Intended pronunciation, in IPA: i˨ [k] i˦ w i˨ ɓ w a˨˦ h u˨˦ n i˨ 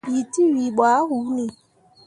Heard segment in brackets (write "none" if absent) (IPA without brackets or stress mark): t